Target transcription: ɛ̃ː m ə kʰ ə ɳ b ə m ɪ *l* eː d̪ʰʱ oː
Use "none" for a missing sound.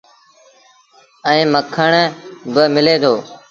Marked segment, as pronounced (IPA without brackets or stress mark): l